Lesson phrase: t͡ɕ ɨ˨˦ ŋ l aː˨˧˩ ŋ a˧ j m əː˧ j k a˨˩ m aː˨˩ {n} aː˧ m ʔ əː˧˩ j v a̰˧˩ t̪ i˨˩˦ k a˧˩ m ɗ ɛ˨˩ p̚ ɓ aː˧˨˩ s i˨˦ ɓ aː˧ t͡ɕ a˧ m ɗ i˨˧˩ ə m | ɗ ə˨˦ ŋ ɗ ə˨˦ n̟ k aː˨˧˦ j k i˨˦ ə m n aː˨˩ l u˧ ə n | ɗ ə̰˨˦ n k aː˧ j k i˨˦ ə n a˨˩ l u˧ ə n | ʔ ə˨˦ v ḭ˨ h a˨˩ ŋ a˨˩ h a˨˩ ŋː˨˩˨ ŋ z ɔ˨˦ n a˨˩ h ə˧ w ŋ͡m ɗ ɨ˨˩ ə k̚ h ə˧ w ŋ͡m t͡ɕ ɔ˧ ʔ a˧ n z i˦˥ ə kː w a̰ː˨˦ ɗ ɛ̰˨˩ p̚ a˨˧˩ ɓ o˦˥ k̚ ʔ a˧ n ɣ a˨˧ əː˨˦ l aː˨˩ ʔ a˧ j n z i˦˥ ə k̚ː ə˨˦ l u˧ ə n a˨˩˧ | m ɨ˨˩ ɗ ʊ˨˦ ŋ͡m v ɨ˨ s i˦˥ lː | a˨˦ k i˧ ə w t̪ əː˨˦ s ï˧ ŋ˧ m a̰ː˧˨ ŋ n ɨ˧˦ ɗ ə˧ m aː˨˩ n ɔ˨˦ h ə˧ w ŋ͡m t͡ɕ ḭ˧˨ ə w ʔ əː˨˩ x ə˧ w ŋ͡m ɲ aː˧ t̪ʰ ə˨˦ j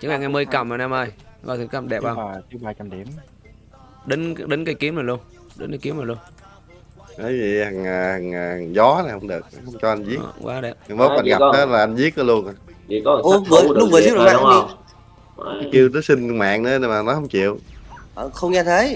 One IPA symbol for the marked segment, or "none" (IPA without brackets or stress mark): n